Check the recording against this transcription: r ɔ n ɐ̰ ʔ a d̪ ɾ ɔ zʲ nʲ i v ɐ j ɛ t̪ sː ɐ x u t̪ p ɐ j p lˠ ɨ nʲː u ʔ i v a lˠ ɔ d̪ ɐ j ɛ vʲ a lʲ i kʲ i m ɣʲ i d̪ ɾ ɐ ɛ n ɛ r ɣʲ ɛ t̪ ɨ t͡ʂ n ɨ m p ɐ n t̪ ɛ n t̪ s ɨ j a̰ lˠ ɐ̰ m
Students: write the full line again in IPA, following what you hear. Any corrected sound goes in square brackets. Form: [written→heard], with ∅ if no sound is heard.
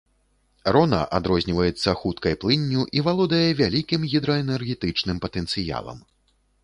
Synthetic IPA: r ɔ n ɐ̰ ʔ a d̪ ɾ ɔ zʲ nʲ i v ɐ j ɛ t̪ sː ɐ x u t̪ [p→k] ɐ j p lˠ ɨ nʲː u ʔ i v a lˠ ɔ d̪ ɐ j ɛ vʲ a lʲ i kʲ i m ɣʲ i d̪ ɾ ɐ ɛ n ɛ r ɣʲ ɛ t̪ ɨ t͡ʂ n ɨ m p ɐ [n→∅] t̪ ɛ n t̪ s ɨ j a̰ lˠ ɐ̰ m